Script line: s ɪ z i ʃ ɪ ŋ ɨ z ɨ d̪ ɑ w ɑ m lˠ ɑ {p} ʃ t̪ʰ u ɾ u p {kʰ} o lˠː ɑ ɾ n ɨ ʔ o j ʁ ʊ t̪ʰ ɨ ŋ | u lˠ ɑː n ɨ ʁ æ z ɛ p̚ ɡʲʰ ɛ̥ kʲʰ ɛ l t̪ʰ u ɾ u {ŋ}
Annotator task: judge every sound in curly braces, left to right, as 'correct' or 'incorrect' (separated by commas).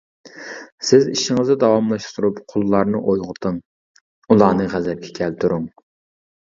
incorrect, incorrect, correct